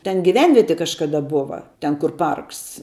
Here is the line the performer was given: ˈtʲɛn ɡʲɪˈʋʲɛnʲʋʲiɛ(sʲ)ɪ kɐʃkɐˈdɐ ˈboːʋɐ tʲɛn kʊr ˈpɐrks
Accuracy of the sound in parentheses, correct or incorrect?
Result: incorrect